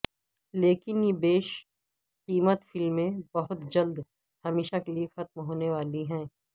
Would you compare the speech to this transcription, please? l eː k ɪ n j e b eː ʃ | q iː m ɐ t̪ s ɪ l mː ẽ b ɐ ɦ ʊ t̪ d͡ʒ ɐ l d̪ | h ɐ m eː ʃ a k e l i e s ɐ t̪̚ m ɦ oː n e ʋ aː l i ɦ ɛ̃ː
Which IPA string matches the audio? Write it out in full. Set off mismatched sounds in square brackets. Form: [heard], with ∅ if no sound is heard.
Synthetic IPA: l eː k ɪ n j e b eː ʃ | q iː m [ə] t̪ [f] ɪ l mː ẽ b ɐ ɦ ʊ t̪ d͡ʒ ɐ l d̪ | h ɐ m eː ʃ a k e l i e [x] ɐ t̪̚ m ɦ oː n e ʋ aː l i ɦ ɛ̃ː